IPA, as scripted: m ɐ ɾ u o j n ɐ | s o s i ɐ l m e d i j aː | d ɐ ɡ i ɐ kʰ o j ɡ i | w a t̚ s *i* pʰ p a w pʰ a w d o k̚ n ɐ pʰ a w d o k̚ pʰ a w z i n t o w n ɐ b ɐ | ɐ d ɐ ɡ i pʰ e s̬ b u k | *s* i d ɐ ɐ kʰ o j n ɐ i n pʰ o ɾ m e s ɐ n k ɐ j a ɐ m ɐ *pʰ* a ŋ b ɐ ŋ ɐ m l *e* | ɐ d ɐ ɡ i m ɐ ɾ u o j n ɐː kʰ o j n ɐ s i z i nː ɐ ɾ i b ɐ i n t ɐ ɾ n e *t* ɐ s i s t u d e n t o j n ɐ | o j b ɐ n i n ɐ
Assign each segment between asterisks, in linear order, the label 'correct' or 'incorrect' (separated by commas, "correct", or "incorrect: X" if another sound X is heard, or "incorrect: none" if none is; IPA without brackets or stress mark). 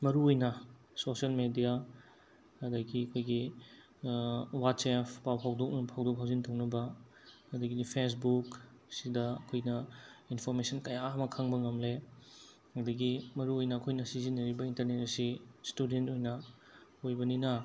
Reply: incorrect: e, correct, incorrect: kʰ, correct, correct